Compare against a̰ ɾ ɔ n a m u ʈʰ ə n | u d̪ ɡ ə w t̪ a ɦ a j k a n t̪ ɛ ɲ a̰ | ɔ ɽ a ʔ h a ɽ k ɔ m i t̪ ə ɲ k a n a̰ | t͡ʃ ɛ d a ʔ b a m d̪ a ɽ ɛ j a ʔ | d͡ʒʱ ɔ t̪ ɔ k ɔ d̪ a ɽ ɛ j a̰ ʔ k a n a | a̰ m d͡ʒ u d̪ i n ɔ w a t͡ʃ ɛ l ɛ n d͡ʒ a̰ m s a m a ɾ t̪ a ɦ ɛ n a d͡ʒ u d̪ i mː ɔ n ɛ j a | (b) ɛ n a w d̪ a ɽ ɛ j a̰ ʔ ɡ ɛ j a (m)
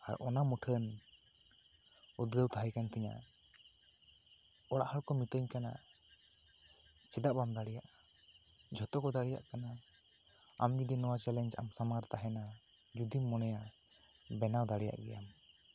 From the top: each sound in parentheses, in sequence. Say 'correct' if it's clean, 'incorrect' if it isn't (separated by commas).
correct, correct